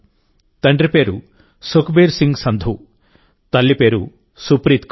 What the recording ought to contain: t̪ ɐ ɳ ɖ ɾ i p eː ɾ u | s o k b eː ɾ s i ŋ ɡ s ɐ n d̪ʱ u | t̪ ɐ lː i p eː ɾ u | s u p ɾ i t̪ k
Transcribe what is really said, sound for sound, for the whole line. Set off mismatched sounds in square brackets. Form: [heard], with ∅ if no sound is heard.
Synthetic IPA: t̪ ɐ ɳ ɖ ɾ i p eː ɾ u | s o k b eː ɾ s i ŋ ɡ s ɐ n d̪ʱ u | t̪ ɐ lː i p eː ɾ u | s u p ɾ i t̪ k